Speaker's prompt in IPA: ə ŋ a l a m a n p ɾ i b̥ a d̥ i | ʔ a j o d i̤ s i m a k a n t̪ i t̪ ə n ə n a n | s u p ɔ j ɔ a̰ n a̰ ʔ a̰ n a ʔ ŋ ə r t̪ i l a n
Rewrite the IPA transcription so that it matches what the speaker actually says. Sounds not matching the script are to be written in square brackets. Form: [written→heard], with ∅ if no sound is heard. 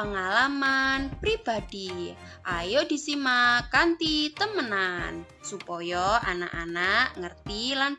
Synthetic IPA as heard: ə ŋ a l a m a n p ɾ i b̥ a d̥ i | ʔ a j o d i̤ s i m a k a n t̪ i t̪ ə [n→m] ə n a n | s u p ɔ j ɔ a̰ n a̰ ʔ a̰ n a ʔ ŋ ə r t̪ i l a n